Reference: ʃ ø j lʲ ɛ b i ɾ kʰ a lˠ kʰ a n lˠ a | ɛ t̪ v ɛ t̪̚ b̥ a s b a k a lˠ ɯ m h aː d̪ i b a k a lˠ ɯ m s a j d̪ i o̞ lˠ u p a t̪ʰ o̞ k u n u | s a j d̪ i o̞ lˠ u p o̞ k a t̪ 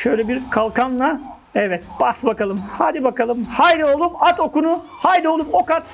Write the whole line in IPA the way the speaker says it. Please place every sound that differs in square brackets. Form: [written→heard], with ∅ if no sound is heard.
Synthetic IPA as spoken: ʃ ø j lʲ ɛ b i ɾ kʰ a lˠ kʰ a n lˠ a | ɛ [t̪→∅] v ɛ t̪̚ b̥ a s b a k a lˠ ɯ m h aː d̪ i b a k a lˠ ɯ m [s→h] a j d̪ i o̞ lˠ u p a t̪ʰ o̞ k u n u | [s→h] a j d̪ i o̞ lˠ u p o̞ k a t̪